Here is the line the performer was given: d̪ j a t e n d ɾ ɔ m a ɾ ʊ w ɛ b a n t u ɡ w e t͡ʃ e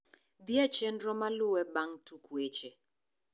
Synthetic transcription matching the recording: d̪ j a t͡ʃ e n d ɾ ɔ m a l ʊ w ɛ b a ŋ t u k w e t͡ʃ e

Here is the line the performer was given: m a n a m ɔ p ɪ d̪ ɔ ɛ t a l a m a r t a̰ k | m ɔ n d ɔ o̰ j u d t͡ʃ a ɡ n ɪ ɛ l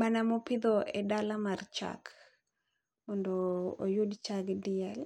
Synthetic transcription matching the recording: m a n a m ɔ p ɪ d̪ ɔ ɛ d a l a m a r t͡ʃ a̰ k | m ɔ n d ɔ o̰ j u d t͡ʃ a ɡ d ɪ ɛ l

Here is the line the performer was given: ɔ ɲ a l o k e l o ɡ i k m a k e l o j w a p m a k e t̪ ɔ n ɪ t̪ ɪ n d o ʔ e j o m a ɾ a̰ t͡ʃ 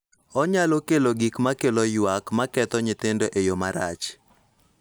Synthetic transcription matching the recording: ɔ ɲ a l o k e l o ɡ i k m a k e l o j w a k m a k ɛ t̪ ɔ ɲ ɪ t̪ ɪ n d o ʔ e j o m a ɾ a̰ t͡ʃ

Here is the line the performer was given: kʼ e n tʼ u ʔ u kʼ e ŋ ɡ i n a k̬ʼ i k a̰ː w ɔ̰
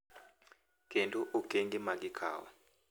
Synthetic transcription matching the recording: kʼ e n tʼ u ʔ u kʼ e ŋ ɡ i m a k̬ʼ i kʰ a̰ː w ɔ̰

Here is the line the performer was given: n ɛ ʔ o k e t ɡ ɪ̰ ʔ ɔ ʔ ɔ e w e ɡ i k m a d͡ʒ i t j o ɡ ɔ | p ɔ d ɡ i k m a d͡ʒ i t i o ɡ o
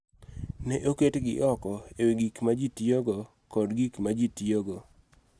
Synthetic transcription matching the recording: n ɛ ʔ o k e t ɡ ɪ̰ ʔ ɔ k ɔ e w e ɡ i k m a d͡ʒ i t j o ɡ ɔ | k ɔ d ɡ i k m a d͡ʒ i t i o ɡ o

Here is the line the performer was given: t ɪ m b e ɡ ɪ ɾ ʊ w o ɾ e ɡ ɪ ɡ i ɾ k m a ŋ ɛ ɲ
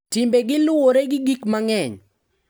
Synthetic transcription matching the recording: t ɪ m b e ɡ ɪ l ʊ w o ɾ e ɡ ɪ ɡ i k m a ŋ ɛ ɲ

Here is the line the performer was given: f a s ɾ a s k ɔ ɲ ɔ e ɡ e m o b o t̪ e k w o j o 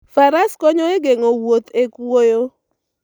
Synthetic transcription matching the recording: f a ɾ a s k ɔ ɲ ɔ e ɡ e ŋ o w o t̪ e k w o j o

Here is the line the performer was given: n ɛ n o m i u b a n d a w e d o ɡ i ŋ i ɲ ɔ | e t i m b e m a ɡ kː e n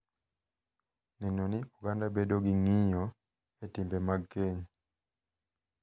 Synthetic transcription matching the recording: n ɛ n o n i u ɡ a n d a b e d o ɡ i ŋ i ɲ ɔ | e t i m b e m a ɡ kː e ɲ

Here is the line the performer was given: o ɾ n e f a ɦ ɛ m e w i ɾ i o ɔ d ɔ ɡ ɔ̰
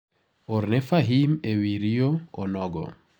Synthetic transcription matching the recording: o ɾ n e f a ɦ i m e w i ɾ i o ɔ n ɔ ɡ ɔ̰

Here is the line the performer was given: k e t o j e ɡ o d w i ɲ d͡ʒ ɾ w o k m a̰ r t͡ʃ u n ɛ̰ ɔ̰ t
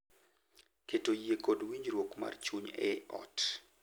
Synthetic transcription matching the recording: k e t o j e k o d w i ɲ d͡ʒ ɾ w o k m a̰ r t͡ʃ u ɲ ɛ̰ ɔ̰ t

